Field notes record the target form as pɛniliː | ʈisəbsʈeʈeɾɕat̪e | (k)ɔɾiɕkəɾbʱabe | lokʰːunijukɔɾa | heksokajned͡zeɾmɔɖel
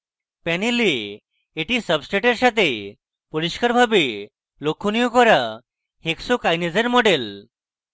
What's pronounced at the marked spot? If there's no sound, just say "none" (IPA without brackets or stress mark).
p